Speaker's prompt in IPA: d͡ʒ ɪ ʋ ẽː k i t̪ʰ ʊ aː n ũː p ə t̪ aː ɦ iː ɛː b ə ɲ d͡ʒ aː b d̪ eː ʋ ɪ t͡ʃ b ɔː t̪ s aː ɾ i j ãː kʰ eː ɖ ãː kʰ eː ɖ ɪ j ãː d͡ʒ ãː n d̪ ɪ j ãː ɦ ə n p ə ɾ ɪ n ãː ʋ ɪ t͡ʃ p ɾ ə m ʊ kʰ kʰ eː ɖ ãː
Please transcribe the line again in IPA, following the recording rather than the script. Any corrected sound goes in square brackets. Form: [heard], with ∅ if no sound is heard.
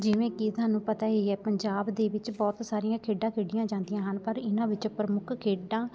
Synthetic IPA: d͡ʒ ɪ ʋ ẽː k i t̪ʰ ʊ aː n ũː p ə t̪ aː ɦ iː ɛː [p] ə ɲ d͡ʒ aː b d̪ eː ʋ ɪ t͡ʃ b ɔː t̪ s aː ɾ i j ãː kʰ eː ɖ ãː kʰ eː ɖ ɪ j ãː d͡ʒ ãː n d̪ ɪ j ãː ɦ ə n p ə ɾ ɪ n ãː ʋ ɪ t͡ʃ p ɾ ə m ʊ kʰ kʰ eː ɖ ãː